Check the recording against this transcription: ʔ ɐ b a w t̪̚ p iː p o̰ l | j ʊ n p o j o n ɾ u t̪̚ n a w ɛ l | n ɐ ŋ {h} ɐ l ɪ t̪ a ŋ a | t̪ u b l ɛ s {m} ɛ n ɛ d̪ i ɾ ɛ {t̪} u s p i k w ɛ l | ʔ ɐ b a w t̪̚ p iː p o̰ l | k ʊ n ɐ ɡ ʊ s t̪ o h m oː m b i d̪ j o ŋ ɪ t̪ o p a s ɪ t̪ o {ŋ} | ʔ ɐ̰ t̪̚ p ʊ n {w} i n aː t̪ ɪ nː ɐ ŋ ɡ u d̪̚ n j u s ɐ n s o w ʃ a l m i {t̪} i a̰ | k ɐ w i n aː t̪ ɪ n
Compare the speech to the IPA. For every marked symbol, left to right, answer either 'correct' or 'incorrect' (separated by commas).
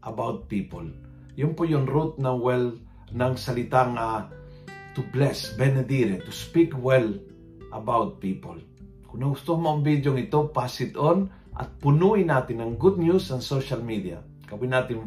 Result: incorrect, incorrect, correct, incorrect, incorrect, incorrect